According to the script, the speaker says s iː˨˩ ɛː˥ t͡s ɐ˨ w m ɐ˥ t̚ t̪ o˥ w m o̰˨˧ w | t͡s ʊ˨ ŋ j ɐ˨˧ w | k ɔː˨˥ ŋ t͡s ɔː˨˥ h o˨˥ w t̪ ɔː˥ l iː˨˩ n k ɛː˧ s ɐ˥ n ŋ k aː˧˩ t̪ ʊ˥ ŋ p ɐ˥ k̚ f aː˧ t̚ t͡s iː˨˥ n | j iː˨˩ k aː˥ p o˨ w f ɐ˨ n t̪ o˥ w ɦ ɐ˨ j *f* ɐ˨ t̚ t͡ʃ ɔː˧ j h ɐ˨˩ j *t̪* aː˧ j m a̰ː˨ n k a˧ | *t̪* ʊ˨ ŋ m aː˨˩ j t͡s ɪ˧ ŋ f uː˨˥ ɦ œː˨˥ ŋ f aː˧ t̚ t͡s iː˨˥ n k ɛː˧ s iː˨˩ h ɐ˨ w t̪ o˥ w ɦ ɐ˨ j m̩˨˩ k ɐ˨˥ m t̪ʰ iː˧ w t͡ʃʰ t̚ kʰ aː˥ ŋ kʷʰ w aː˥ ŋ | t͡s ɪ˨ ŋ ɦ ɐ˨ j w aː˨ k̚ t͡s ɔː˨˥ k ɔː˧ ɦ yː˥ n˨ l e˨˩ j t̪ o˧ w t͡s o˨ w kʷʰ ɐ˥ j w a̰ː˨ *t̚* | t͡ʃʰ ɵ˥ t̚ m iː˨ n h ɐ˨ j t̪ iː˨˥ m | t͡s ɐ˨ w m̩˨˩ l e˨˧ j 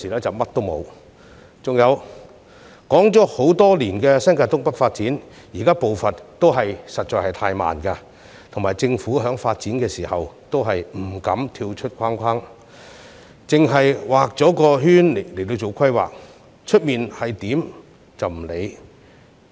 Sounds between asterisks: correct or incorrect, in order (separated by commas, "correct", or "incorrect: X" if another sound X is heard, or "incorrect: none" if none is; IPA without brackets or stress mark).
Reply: incorrect: s, incorrect: t̪ʰ, incorrect: t̪ʰ, incorrect: k̚